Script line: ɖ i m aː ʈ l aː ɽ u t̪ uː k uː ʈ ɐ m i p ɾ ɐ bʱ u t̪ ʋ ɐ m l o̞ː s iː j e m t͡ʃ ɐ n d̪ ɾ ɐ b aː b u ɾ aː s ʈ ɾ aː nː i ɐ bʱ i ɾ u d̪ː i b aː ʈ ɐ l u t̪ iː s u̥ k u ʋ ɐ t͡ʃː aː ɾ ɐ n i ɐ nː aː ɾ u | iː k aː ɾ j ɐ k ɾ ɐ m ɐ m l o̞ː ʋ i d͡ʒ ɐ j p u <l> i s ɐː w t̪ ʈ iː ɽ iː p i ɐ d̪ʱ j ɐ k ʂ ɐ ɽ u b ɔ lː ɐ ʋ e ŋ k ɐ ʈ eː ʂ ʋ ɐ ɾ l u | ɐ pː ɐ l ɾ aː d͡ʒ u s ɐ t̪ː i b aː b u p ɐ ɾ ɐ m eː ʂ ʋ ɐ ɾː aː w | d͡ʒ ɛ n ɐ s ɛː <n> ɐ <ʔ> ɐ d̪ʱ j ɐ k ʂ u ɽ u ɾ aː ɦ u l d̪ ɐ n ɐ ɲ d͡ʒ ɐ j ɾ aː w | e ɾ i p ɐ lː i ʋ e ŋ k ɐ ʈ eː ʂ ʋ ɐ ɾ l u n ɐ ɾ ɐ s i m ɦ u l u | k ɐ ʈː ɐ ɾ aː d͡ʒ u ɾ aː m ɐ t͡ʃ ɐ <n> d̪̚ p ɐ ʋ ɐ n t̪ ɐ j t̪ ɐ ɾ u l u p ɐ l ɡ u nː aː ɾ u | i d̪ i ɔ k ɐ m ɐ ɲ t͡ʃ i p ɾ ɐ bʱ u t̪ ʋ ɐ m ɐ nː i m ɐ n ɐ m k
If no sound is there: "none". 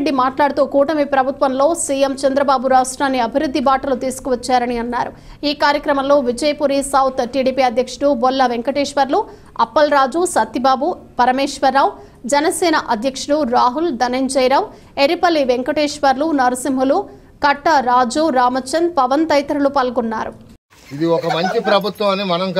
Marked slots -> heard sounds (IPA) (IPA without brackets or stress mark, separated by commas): ɾ, n, ʔ, n